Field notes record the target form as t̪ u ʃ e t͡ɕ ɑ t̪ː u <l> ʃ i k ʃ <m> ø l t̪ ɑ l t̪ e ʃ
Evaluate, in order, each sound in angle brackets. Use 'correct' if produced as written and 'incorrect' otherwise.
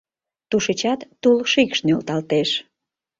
correct, incorrect: n

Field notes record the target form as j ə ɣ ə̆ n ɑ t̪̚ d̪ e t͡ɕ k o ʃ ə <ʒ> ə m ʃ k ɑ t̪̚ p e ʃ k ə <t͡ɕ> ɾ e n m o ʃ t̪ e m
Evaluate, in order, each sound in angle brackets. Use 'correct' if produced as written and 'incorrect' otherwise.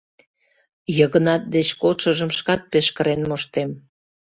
correct, incorrect: none

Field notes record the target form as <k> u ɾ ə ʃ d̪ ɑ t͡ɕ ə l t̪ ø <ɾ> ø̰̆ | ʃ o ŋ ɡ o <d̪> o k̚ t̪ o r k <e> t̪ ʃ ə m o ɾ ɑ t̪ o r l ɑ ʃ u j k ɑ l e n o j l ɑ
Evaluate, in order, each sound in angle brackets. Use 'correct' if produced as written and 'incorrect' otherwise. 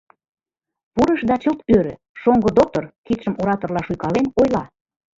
incorrect: p, correct, correct, incorrect: i

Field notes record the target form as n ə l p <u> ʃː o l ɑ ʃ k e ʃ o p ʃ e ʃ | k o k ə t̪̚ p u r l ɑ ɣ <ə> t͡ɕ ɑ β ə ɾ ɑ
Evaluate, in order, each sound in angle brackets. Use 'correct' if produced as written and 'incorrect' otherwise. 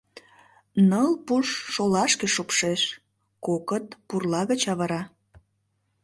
correct, correct

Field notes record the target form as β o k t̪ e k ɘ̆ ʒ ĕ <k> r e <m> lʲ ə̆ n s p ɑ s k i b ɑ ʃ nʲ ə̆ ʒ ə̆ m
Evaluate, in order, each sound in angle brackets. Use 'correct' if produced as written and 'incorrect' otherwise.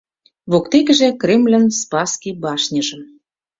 correct, correct

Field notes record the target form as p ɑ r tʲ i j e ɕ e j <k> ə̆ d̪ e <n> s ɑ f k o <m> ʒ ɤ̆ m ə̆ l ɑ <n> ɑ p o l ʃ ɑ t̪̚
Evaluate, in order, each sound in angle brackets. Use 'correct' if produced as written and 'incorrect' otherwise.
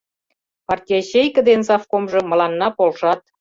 correct, correct, correct, incorrect: nː

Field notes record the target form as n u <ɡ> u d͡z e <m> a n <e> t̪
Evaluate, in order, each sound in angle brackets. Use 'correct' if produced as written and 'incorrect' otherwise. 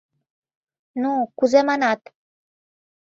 incorrect: k, correct, incorrect: a

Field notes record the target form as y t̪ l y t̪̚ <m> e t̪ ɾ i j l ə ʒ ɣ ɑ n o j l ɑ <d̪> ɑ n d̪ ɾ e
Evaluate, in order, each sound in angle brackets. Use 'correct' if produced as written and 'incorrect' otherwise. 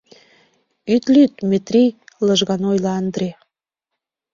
correct, incorrect: none

